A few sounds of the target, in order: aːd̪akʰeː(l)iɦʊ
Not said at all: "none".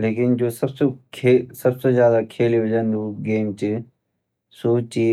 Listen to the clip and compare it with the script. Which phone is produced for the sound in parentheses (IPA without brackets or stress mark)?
l